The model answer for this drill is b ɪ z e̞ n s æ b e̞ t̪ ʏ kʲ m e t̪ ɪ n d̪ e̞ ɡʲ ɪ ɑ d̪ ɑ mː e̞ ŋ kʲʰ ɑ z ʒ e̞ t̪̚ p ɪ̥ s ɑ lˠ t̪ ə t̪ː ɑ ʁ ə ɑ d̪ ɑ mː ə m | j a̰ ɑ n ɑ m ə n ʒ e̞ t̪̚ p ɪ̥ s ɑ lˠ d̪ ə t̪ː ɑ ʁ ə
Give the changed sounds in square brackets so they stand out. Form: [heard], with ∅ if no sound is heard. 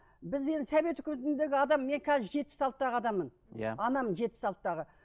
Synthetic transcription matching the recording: b ɪ z e̞ n s æ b e̞ t̪ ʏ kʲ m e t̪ ɪ n d̪ e̞ ɡʲ ɪ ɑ d̪ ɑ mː e̞ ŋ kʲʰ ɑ z ʒ e̞ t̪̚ p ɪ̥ s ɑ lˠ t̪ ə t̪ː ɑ ʁ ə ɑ d̪ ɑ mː ə [n] | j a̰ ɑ n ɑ m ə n ʒ e̞ t̪̚ p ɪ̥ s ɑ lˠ [t̪] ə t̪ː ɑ ʁ ə